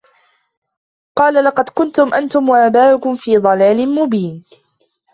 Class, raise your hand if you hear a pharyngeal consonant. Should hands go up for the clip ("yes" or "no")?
no